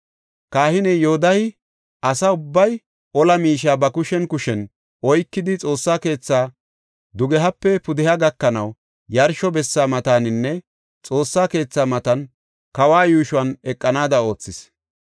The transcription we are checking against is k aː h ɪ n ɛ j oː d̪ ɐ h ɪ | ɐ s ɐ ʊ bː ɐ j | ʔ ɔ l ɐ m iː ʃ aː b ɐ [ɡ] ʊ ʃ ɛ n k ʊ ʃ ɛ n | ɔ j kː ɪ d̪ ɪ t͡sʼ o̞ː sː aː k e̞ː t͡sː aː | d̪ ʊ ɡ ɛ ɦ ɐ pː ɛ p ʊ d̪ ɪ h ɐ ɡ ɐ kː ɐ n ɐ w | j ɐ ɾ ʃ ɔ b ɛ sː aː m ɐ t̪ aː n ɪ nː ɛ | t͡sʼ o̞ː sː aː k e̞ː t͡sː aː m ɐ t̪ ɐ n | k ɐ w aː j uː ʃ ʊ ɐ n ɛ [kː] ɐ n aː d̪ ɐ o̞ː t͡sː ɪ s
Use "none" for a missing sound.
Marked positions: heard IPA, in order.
k, kʼː

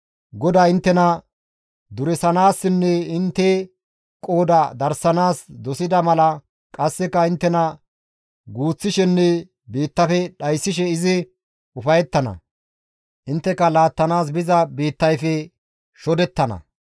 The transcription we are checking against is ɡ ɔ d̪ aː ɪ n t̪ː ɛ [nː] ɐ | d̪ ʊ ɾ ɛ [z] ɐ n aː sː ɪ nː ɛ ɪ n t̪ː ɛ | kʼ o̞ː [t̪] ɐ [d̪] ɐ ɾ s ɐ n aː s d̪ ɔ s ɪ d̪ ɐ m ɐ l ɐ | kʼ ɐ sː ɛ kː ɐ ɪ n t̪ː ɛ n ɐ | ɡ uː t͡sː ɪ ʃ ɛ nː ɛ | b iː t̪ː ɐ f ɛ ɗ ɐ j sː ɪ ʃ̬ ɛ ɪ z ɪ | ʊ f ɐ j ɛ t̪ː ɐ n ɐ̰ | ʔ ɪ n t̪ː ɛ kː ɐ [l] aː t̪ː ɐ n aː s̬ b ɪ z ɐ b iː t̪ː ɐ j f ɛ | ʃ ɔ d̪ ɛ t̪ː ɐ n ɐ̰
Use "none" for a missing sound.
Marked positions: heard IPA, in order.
n, s, d̪, d̪, l

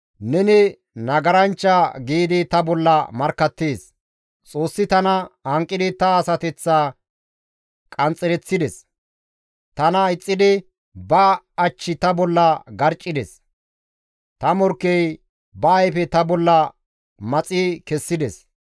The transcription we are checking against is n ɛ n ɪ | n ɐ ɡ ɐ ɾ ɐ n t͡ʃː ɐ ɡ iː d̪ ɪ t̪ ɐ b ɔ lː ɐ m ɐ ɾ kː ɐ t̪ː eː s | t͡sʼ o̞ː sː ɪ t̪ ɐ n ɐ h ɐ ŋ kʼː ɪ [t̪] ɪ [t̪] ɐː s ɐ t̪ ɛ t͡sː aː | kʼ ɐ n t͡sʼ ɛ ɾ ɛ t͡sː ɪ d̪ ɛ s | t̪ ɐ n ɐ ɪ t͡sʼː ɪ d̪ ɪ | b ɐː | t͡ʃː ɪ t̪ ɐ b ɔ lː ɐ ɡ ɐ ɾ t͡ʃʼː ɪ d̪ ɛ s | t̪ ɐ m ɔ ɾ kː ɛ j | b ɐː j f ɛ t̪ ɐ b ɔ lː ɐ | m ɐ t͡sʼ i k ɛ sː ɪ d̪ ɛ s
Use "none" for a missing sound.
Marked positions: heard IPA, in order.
d̪, t̪

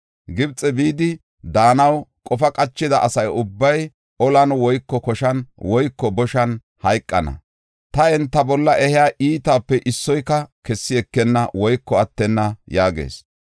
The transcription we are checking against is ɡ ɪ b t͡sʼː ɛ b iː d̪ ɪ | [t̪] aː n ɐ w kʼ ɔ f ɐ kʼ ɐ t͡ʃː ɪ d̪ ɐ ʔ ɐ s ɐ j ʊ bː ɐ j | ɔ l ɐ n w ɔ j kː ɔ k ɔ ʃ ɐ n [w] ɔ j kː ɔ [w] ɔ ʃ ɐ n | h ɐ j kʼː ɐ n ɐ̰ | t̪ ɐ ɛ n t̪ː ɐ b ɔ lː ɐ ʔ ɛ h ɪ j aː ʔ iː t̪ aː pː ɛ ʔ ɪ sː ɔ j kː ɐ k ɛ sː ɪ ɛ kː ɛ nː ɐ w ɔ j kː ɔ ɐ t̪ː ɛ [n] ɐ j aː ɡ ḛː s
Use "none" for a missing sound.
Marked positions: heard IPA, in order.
d̪, w, b, nː

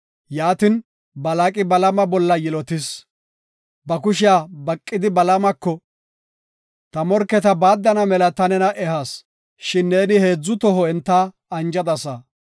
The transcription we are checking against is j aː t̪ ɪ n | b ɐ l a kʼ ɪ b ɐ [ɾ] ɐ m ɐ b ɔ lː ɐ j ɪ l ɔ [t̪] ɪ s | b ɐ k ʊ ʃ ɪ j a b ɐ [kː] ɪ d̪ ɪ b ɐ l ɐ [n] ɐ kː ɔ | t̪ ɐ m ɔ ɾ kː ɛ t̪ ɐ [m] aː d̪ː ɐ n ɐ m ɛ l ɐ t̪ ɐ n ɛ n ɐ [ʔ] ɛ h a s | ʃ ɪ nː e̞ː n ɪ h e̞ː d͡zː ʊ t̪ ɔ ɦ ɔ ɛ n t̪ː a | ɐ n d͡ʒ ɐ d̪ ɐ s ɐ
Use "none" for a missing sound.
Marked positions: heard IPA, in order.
l, t̪, kʼː, m, b, ʔ

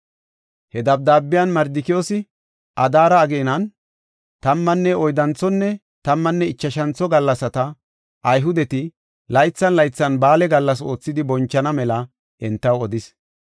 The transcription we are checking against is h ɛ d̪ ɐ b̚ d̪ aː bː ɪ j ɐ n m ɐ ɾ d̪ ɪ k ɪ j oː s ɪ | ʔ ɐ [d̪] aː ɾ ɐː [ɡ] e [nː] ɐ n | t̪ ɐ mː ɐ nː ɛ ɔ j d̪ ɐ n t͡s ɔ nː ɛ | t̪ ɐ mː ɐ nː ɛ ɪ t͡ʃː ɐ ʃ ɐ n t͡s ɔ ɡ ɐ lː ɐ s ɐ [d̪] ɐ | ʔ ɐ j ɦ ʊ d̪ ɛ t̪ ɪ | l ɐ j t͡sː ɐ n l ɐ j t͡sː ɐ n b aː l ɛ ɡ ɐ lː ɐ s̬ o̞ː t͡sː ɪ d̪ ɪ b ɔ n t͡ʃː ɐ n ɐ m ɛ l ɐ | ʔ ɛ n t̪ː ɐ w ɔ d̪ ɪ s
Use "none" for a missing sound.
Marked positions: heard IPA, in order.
d̪, ɡ, n, t̪

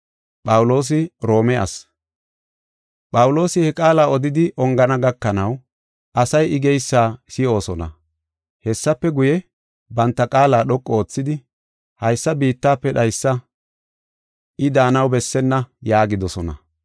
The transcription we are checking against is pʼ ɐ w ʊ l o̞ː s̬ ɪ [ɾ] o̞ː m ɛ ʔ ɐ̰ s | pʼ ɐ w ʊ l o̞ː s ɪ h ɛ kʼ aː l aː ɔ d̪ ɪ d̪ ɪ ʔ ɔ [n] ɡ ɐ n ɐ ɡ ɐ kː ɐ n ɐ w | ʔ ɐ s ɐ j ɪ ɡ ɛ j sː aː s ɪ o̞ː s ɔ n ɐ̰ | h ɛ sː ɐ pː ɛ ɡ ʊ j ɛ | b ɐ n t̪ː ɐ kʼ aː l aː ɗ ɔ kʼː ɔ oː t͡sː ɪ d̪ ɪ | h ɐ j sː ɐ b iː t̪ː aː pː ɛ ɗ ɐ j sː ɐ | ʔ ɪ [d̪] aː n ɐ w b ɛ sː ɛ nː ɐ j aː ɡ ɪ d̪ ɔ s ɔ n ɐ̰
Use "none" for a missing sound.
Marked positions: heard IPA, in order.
ɾ, ŋ, d̪

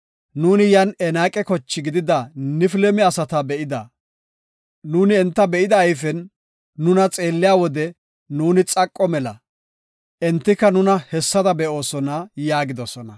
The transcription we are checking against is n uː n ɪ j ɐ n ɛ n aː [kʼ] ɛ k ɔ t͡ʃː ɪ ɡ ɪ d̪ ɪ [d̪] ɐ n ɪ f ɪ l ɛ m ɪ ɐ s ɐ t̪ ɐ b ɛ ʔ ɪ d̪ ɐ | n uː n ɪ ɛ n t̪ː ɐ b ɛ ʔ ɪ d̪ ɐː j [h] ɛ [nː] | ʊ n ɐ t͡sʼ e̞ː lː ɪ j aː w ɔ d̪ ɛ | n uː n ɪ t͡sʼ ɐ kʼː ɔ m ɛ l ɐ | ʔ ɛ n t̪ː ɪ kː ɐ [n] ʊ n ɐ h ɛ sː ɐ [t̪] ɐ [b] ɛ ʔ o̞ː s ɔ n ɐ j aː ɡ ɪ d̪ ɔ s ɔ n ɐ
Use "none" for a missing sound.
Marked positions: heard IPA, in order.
kʼ, d̪, f, nː, n, d̪, b

